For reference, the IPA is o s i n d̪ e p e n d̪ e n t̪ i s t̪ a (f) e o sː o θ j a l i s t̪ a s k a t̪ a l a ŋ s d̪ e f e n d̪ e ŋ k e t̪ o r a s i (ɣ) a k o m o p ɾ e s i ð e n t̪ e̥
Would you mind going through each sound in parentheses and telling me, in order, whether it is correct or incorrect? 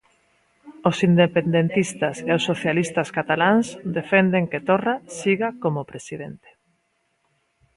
incorrect, correct

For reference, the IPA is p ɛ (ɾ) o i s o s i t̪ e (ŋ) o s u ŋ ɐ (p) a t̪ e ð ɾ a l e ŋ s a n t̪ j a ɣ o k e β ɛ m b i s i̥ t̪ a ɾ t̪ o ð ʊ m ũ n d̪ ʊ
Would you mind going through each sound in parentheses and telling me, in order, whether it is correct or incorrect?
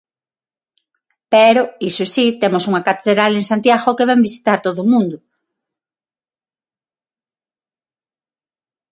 correct, incorrect, incorrect

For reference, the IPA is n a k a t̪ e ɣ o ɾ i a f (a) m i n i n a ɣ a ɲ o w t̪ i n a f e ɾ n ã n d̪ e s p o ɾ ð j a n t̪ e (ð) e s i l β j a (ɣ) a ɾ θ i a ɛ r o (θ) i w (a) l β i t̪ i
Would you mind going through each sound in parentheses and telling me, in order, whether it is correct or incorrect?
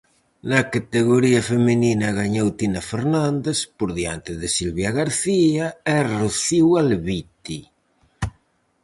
incorrect, correct, correct, correct, correct

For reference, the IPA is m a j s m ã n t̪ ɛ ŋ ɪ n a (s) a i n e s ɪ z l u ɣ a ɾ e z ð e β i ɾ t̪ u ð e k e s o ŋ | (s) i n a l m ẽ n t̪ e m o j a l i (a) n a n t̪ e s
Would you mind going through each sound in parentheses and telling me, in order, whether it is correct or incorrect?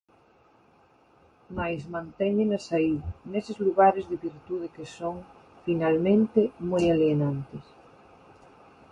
correct, incorrect, incorrect

